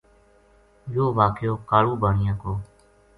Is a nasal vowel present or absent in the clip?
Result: present